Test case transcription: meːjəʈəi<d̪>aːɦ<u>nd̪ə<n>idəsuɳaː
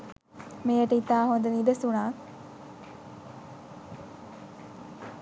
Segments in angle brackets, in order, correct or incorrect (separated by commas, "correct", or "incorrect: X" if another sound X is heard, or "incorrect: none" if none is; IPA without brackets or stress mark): incorrect: t̪, incorrect: o, correct